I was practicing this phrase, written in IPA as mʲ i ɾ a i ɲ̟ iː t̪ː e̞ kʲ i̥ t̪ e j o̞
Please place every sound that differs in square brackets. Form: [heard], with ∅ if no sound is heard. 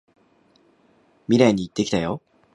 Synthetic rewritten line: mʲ i ɾ a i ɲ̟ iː t̪ː e̞ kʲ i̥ t̪ [a] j o̞